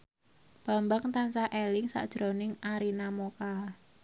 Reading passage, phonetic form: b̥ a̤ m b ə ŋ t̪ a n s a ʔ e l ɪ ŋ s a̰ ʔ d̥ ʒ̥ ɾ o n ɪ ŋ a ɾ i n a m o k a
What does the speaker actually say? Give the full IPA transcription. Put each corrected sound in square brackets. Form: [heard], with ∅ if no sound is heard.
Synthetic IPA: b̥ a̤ m b [a] ŋ t̪ a n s a ʔ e l ɪ ŋ s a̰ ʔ d̥ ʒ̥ ɾ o n ɪ ŋ a ɾ i n a m o k a